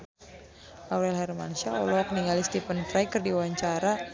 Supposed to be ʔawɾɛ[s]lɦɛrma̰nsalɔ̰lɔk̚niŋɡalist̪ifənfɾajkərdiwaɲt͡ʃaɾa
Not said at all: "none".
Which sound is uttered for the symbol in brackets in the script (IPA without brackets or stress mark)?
none